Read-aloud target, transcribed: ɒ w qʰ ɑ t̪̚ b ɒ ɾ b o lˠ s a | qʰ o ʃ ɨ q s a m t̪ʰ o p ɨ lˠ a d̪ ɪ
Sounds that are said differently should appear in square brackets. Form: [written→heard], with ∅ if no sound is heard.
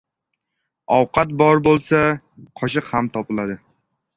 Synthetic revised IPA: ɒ w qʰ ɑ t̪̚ b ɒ ɾ b o lˠ s a | qʰ [o→ɒ] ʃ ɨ q [s→h] a m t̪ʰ [o→ɒ] p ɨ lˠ a d̪ ɪ